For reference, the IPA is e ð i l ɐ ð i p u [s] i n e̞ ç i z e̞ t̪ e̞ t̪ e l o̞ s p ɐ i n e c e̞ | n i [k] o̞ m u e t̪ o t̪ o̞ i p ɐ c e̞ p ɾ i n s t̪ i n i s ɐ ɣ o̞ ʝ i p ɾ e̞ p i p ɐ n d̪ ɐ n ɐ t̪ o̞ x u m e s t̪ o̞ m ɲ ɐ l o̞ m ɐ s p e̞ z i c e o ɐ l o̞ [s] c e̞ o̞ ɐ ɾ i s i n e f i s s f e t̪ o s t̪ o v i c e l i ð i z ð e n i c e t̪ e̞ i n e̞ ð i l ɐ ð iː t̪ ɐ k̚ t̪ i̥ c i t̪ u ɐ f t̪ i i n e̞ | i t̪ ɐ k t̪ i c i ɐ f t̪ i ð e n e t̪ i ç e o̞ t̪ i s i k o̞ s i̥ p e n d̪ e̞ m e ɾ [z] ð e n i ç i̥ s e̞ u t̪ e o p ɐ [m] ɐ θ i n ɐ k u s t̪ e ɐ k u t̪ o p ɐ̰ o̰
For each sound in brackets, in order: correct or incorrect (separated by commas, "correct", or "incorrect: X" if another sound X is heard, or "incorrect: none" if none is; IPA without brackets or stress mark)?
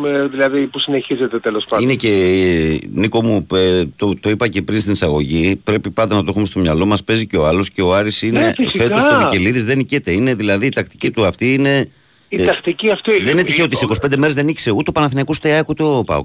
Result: correct, correct, correct, correct, incorrect: n